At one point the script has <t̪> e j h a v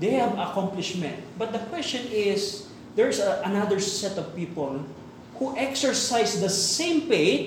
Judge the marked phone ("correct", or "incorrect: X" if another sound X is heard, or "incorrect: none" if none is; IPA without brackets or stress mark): incorrect: d̪